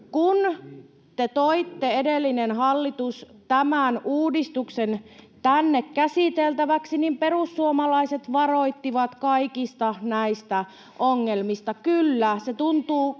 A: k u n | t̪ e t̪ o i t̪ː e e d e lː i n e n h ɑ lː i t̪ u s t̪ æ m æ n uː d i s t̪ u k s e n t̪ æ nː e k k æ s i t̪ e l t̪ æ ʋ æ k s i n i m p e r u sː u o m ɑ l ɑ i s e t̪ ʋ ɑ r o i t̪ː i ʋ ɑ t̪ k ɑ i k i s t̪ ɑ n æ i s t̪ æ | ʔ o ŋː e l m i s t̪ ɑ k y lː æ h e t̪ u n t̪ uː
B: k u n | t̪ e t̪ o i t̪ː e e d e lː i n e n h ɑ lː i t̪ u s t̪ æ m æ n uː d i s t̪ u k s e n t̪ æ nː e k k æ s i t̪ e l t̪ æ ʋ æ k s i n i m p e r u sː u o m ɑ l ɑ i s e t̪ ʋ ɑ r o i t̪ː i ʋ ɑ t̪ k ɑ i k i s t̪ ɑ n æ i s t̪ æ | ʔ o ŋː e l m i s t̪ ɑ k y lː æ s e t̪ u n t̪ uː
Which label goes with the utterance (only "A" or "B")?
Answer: B